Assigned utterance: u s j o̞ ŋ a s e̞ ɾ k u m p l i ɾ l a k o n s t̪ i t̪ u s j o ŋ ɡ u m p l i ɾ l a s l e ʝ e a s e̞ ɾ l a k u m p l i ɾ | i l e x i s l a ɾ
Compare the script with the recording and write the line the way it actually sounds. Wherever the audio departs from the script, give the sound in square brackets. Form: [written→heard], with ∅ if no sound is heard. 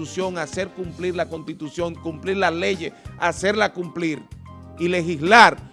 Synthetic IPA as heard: u s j o̞ ŋ a s e̞ ɾ k u m p l i ɾ l a k o n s t̪ i t̪ u s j o ŋ [ɡ→k] u m p l i ɾ l a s l e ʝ e a s e̞ ɾ l a k u m p l i ɾ | i l e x i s l a ɾ